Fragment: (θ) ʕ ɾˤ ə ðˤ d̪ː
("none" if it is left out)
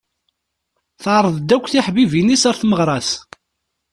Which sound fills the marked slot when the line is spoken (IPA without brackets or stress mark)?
θ